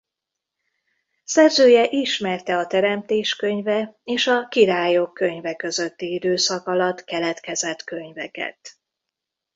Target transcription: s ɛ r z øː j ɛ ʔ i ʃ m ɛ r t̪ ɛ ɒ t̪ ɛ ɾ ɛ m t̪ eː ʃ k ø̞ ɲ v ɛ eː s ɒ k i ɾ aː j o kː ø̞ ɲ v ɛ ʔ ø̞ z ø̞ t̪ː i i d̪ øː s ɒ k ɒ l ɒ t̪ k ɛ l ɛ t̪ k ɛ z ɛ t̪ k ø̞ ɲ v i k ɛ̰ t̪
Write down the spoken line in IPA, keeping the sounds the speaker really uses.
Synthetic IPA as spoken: s ɛ r z øː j ɛ ʔ i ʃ m ɛ r t̪ ɛ ɒ t̪ ɛ ɾ ɛ m t̪ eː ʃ k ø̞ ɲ v ɛ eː ʃ ɒ k i ɾ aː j o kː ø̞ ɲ v ɛ k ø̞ z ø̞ t̪ː i i d̪ øː s ɒ k ɒ l ɒ t̪ k ɛ l ɛ t̪ k ɛ z ɛ t̪ k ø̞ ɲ v ɛ k ɛ̰ t̪